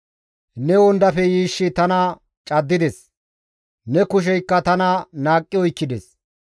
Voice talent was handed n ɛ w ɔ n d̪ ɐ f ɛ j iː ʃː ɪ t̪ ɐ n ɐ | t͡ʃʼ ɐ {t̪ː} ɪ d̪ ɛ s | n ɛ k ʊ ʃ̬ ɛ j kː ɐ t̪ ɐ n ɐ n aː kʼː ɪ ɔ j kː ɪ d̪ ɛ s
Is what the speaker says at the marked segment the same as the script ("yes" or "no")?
no